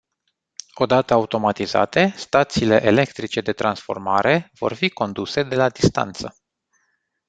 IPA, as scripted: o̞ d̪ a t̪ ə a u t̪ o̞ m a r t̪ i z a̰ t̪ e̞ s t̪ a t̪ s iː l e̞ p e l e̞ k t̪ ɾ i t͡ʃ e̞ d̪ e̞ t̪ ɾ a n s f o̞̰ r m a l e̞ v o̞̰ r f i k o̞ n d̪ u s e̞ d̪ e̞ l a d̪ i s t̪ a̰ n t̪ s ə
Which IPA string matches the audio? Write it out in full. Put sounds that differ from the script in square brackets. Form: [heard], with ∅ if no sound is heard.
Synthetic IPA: o̞ d̪ a t̪ ə a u t̪ o̞ m a [∅] t̪ i z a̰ t̪ e̞ s t̪ a t̪ s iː l e̞ [ʔ] e l e̞ k t̪ ɾ i t͡ʃ e̞ d̪ e̞ t̪ ɾ a n s f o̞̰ r m a [ɾ] e̞ v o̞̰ r f i k o̞ n d̪ u s e̞ d̪ e̞ l a d̪ i s t̪ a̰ n t̪ s ə